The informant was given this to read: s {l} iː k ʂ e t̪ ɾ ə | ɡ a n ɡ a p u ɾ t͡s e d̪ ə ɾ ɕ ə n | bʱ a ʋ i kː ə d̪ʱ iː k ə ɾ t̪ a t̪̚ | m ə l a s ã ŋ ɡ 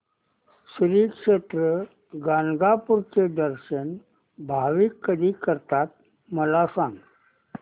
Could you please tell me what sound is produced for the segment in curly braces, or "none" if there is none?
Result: ɾ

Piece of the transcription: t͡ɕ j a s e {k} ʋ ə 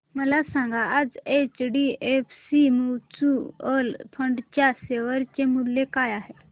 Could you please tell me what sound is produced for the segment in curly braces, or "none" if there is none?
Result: none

